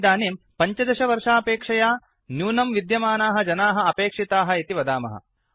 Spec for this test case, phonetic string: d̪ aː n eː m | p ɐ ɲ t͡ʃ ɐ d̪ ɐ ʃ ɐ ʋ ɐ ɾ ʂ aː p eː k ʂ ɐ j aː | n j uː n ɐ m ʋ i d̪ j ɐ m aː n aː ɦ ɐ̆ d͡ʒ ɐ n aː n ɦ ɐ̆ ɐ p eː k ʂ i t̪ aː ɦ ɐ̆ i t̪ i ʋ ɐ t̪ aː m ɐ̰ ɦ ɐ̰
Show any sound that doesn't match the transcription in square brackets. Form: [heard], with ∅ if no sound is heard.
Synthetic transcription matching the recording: d̪ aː n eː m | p ɐ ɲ t͡ʃ ɐ d̪ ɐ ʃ ɐ ʋ ɐ ɾ ʂ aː p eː k ʂ ɐ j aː | n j uː n ɐ m ʋ i d̪ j ɐ m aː n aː ɦ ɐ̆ d͡ʒ ɐ n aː [∅] ɦ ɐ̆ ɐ p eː k ʂ i t̪ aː ɦ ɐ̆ i t̪ i ʋ ɐ [d̪] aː m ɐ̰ ɦ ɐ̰